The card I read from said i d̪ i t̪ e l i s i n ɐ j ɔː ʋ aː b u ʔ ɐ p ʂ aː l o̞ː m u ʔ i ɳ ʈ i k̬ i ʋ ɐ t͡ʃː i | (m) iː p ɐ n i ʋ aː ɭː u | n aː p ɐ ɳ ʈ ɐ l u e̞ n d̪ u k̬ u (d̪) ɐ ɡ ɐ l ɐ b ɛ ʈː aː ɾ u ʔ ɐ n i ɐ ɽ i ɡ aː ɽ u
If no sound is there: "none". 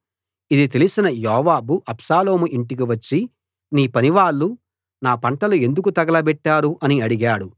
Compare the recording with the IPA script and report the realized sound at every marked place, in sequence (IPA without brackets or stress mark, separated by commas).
n, t̪